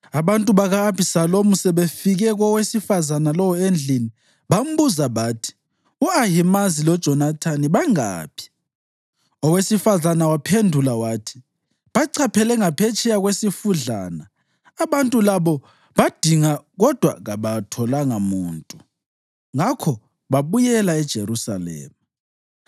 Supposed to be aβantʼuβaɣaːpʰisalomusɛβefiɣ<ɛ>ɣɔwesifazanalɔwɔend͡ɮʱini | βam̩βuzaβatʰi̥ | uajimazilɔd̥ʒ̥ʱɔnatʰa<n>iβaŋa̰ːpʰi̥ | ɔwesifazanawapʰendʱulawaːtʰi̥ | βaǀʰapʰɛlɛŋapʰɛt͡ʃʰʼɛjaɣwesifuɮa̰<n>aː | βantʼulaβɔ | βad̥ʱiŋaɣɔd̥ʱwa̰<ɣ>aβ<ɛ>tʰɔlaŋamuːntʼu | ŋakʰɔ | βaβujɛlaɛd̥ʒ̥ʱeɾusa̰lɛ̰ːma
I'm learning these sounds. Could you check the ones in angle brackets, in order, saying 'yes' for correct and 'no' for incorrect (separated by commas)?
yes, yes, yes, yes, no